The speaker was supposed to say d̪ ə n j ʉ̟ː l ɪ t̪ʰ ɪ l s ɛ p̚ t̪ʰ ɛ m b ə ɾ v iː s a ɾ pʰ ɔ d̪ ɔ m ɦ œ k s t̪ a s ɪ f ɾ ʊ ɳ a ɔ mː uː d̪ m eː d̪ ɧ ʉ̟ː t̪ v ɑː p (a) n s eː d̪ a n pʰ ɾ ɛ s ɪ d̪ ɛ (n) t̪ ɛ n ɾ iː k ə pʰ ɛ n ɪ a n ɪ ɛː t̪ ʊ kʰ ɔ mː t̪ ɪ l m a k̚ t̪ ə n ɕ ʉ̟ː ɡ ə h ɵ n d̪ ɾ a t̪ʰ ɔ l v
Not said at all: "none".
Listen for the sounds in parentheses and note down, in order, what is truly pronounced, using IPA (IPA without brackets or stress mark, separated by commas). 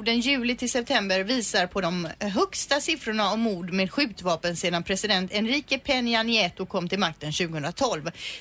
ə, n